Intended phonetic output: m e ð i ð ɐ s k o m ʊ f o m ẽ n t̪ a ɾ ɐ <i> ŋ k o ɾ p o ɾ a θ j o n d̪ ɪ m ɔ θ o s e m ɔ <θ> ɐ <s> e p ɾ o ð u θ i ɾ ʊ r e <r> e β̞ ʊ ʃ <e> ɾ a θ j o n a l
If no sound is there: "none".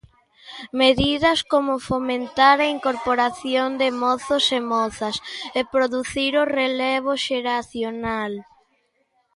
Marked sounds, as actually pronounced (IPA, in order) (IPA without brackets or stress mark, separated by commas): i, θ, s, l, e